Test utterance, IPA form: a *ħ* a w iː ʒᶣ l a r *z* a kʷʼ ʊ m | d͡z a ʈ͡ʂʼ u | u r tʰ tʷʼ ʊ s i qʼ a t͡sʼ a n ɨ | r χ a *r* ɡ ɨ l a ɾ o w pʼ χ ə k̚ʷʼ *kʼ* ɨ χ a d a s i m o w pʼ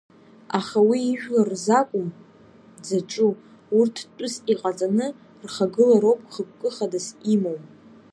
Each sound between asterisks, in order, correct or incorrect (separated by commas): incorrect, correct, incorrect, correct